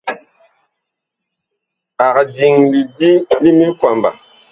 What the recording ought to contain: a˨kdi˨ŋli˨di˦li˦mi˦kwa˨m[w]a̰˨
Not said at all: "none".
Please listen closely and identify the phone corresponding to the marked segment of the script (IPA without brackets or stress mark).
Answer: b